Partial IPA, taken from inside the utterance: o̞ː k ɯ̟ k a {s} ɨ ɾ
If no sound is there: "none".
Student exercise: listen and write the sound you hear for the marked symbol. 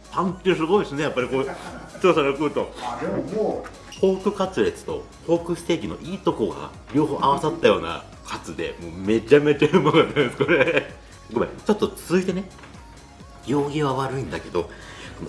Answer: t͡s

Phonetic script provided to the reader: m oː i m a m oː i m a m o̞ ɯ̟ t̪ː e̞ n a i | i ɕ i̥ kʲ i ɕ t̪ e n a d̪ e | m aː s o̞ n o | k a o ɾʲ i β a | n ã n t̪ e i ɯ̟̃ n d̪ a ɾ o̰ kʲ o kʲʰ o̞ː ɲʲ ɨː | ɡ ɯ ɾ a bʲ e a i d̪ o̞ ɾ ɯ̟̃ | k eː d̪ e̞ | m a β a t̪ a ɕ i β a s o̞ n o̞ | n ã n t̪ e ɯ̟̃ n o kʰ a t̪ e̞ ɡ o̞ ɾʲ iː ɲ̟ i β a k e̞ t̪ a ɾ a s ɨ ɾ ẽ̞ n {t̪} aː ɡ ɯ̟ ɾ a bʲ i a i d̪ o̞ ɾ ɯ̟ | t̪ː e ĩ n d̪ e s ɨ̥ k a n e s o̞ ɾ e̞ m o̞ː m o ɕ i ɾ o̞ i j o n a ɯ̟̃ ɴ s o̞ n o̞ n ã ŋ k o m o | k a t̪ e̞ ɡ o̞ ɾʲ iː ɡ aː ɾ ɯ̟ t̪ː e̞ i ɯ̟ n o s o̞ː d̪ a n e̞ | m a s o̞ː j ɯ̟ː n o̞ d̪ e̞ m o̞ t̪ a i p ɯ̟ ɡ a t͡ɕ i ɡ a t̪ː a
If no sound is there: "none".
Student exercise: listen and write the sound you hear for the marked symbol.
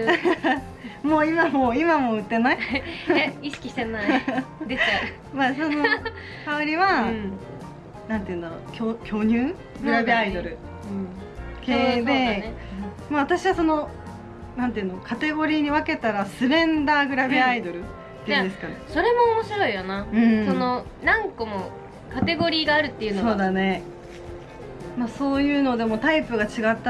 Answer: d̪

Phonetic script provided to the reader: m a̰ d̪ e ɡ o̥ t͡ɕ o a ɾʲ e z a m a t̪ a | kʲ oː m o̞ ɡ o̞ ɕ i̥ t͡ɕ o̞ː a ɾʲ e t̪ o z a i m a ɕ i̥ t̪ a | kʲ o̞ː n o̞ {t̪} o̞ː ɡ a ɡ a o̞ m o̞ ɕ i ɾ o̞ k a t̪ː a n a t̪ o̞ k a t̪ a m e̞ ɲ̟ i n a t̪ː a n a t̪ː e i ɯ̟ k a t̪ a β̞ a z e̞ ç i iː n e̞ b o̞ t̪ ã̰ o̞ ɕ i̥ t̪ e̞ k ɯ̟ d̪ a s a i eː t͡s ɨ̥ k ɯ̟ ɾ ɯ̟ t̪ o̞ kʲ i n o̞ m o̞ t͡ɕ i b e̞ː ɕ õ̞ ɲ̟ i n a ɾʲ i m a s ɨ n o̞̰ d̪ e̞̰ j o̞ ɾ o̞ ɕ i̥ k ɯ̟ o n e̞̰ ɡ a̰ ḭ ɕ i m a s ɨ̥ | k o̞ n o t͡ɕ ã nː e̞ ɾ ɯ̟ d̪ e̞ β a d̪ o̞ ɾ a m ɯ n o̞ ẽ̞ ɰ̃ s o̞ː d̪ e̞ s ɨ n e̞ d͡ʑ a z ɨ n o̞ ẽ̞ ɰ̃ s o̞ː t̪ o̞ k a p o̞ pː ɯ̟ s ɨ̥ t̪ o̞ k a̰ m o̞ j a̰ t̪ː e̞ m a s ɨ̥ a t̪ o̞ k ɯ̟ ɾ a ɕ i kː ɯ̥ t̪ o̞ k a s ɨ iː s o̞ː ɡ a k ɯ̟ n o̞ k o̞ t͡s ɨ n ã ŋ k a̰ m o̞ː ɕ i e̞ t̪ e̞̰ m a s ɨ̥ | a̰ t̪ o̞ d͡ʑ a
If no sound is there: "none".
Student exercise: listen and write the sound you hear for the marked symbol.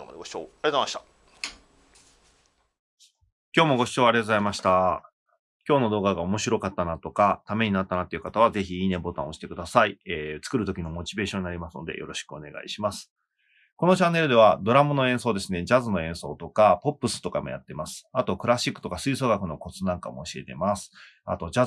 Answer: d̪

